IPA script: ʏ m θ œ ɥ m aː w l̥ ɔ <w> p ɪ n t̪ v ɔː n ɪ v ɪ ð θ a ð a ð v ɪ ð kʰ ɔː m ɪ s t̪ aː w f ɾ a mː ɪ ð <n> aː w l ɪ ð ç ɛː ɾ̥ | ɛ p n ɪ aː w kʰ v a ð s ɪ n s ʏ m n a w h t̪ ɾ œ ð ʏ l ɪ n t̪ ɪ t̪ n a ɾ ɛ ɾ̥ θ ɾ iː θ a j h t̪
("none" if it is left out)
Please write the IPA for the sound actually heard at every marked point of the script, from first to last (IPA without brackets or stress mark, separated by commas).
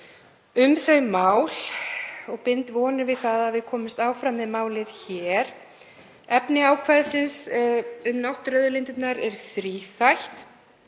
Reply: ɣ, m